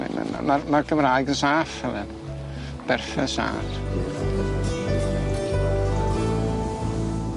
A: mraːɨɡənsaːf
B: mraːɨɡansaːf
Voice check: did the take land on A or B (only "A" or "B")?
A